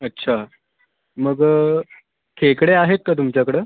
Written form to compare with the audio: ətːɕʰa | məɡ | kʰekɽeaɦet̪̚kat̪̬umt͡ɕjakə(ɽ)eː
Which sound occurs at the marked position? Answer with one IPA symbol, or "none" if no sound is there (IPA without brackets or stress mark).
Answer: ɽ